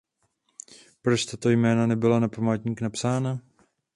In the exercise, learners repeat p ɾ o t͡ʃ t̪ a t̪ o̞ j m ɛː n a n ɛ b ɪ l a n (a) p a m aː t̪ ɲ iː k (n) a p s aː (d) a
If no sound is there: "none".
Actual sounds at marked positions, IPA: a, n, n

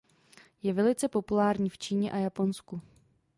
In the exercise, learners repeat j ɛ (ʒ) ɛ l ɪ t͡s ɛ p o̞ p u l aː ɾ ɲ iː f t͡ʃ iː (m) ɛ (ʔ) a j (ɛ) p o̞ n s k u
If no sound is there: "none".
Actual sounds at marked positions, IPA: v, ɲ, ʔ, a

